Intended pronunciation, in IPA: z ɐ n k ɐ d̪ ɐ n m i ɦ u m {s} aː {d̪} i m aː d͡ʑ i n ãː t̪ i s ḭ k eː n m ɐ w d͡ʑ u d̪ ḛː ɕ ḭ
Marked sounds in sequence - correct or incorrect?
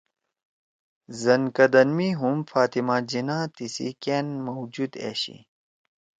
incorrect: f, incorrect: t̪

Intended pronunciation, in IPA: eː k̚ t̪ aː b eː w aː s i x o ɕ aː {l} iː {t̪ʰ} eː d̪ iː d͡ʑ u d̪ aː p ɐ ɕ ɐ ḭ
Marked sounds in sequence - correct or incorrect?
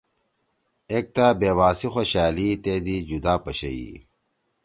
correct, incorrect: t̪

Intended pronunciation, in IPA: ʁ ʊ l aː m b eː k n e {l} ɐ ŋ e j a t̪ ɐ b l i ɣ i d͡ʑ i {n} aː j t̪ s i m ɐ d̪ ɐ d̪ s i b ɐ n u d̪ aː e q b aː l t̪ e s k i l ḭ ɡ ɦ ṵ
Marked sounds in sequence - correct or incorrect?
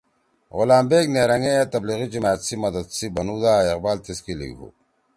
incorrect: ɾ, incorrect: m

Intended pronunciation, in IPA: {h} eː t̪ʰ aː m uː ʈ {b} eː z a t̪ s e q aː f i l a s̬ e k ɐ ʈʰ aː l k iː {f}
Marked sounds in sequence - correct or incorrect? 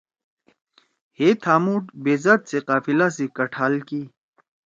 correct, correct, incorrect: none

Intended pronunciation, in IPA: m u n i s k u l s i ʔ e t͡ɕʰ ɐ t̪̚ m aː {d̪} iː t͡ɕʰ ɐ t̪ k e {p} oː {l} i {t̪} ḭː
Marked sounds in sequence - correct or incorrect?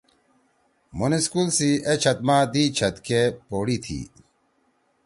correct, correct, incorrect: ɽ, incorrect: t̪ʰ

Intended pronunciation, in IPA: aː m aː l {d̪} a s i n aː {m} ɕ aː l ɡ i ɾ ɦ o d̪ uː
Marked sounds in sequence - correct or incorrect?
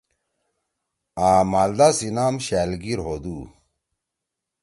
correct, correct

